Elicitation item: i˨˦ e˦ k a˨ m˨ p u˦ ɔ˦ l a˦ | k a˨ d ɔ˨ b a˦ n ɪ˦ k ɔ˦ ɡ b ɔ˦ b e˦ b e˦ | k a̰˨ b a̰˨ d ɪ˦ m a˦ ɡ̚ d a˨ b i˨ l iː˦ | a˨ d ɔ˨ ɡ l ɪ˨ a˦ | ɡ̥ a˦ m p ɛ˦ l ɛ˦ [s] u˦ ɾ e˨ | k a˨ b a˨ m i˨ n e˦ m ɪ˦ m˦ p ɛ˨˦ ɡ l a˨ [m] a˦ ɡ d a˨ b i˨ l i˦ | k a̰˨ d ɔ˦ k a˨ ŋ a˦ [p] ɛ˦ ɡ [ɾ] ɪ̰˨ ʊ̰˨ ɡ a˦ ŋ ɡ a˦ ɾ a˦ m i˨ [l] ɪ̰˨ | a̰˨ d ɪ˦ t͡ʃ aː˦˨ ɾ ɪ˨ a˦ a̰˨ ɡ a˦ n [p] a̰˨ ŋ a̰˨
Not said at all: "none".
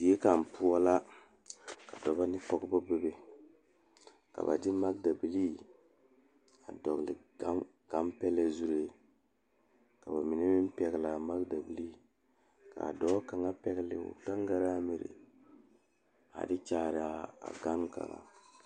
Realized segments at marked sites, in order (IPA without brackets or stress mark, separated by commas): z, m, p, l, ɾ, k